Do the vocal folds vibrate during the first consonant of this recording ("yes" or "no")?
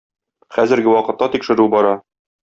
no